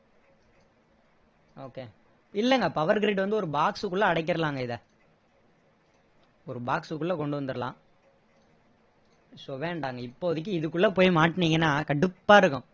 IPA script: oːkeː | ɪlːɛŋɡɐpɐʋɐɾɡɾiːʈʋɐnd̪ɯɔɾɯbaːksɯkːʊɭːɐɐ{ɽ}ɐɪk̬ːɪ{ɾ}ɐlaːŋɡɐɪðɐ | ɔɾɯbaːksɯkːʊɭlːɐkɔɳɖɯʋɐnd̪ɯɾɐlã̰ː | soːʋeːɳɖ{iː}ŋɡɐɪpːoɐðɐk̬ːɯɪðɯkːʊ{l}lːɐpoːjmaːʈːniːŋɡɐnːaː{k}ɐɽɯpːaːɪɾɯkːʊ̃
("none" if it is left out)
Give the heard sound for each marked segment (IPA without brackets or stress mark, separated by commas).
ɽ, ɾ, aː, ɭ, k